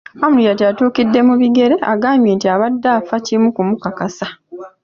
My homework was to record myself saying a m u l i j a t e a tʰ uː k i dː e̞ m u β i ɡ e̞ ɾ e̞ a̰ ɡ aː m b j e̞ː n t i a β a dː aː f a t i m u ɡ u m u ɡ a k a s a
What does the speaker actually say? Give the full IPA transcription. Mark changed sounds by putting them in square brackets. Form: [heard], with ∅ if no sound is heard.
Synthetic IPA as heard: a m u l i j a t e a [t] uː k i dː e̞ m u β i ɡ e̞ ɾ e̞ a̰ ɡ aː m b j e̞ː n t i a β a dː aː f a [c] i m u [k] u m u [k] a k a s a